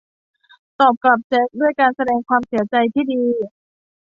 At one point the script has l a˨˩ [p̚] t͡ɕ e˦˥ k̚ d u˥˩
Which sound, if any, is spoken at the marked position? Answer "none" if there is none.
p̚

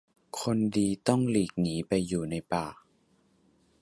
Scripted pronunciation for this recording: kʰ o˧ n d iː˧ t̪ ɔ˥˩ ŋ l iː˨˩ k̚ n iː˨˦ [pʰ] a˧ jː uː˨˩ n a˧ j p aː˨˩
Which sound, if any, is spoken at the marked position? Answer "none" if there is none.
p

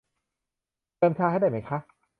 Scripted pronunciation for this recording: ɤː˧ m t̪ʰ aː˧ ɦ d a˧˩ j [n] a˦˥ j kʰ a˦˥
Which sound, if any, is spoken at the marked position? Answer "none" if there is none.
m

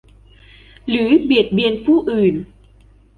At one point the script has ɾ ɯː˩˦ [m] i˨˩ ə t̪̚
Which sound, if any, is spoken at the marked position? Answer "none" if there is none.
b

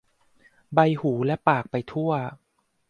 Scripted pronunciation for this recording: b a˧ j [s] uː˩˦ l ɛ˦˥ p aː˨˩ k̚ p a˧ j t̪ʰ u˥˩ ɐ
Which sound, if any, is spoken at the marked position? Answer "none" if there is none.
h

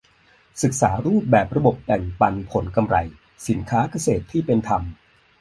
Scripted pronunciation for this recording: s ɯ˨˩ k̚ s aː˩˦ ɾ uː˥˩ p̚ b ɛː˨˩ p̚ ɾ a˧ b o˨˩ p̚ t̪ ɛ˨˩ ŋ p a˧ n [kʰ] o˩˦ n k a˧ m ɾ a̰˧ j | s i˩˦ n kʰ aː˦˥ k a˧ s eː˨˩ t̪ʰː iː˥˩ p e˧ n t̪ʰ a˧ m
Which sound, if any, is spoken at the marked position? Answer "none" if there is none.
pʰ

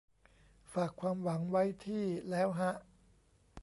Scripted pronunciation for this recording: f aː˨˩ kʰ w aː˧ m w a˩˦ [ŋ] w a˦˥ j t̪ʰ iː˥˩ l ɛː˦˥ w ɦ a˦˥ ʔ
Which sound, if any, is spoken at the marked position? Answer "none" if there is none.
ŋ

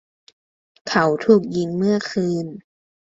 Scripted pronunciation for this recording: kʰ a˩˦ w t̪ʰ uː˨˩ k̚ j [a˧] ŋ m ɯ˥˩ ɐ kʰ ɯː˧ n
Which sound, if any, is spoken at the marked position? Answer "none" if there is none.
i˧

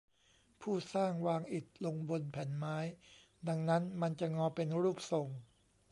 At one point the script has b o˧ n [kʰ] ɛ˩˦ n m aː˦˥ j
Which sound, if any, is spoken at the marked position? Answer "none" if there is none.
pʰ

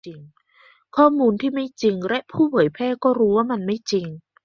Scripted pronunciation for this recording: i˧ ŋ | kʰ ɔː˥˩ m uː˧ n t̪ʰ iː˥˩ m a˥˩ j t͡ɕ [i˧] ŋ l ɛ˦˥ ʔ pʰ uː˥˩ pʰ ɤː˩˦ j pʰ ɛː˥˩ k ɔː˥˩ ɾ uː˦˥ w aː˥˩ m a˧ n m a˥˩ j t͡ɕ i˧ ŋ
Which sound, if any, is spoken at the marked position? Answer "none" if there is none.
i˧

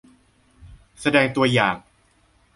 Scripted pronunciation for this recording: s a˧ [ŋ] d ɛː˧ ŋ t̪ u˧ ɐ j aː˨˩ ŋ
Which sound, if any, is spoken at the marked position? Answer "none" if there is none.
none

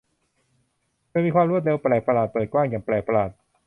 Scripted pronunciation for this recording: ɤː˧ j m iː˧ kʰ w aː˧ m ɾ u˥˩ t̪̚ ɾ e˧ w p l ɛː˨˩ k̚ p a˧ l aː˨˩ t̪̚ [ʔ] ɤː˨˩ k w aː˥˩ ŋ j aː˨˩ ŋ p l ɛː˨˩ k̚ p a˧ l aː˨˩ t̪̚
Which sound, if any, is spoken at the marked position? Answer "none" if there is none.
p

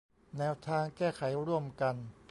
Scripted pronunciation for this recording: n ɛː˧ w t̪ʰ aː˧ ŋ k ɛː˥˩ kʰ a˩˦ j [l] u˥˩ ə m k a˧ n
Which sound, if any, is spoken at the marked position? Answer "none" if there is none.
ɾ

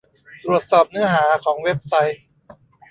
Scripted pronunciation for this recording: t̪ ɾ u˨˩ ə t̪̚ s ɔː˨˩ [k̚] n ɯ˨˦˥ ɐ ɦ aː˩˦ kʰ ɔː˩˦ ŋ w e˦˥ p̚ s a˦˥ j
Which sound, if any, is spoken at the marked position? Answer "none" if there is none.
p̚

